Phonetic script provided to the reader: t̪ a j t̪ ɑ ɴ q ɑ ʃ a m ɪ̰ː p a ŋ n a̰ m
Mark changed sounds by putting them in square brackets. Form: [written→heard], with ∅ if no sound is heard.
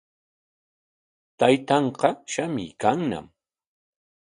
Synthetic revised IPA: t̪ a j t̪ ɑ ɴ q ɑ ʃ a m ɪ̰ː [p→k] a ŋ n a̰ m